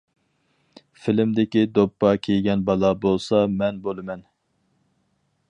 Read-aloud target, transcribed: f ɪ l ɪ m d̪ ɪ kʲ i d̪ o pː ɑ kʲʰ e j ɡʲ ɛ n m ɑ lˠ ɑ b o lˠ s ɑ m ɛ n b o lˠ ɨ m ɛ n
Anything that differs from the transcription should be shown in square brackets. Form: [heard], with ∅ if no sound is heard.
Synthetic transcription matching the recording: f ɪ l ɪ m d̪ ɪ kʲ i d̪ o pː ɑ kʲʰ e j ɡʲ ɛ n [b] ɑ lˠ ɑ b o lˠ s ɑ m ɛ n b o lˠ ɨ m ɛ n